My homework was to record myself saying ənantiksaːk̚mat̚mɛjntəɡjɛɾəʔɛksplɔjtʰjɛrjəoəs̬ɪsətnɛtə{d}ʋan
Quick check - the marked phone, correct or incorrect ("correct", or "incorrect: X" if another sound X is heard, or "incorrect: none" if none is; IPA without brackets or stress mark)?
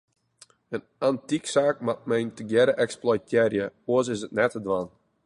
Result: correct